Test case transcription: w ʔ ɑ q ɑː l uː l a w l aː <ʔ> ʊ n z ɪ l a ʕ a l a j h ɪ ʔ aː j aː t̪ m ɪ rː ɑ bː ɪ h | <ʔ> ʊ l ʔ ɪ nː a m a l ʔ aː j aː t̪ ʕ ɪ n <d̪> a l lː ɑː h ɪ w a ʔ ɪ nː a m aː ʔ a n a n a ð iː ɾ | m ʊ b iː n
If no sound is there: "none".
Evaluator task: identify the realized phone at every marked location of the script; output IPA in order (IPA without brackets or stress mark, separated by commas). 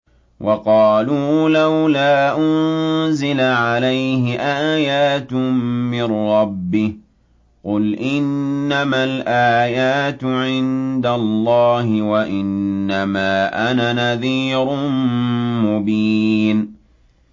ʔ, q, d̪